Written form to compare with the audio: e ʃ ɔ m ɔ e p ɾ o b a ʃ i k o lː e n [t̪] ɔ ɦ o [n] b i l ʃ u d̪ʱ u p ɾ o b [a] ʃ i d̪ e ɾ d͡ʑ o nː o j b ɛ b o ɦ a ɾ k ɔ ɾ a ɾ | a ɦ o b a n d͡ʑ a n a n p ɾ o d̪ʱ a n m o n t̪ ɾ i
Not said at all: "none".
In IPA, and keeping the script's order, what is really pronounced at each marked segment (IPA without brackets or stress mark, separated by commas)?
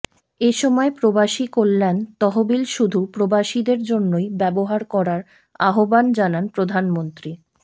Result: t̪, none, a